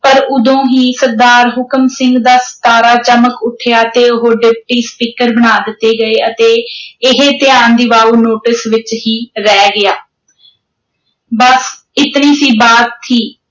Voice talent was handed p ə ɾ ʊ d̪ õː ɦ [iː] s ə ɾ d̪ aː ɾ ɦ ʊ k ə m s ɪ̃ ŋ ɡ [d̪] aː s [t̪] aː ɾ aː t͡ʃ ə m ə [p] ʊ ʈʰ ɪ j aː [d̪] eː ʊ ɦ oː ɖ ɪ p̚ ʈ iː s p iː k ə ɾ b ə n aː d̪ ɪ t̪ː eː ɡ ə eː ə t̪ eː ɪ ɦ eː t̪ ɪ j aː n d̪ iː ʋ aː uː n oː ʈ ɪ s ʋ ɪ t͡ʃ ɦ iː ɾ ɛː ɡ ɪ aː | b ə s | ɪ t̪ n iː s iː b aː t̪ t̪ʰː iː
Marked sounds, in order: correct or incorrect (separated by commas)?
correct, correct, correct, incorrect, incorrect